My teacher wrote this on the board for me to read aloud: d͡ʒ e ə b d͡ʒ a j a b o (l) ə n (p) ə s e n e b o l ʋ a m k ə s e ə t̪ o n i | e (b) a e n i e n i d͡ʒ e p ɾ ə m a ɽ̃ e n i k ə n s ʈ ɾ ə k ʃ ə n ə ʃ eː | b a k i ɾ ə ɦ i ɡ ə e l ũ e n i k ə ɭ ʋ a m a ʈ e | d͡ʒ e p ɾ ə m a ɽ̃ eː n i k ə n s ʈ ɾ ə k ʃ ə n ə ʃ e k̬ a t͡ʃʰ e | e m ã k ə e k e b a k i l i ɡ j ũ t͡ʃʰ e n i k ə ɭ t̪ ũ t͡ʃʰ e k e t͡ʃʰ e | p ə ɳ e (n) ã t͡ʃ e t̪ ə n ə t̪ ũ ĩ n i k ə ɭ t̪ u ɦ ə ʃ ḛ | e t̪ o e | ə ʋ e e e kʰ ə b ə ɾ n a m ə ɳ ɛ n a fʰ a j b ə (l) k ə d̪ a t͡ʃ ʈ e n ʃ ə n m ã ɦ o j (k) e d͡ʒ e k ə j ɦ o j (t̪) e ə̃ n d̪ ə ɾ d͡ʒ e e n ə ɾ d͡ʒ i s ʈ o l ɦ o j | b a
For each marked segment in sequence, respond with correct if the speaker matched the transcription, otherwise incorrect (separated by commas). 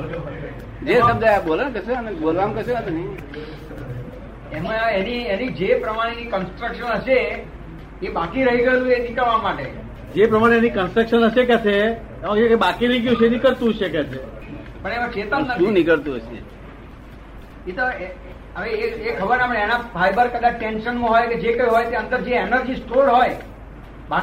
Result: correct, incorrect, incorrect, incorrect, incorrect, correct, correct